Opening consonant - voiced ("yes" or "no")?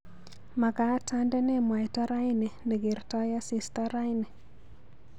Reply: yes